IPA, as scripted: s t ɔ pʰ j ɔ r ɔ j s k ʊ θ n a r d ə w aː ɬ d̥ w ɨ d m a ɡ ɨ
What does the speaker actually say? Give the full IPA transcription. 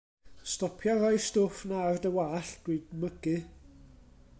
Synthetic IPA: s t ɔ pʰ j ɔ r ɔ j s t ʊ f n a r d ə w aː ɬ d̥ w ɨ d m ə ɡ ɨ